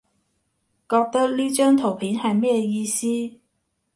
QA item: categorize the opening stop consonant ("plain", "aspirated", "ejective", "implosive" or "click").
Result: plain